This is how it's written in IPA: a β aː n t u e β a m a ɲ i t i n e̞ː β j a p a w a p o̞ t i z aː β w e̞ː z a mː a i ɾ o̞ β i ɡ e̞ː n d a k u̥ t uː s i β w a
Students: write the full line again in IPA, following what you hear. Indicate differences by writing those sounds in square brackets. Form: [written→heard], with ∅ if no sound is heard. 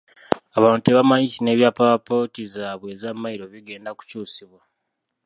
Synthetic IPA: a β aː n t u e β a m a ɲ i [t→s] i n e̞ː β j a p a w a p o̞ t i z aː β w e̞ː z a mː a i ɾ o̞ β i ɡ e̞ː n d a k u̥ [t→c] uː s i β w a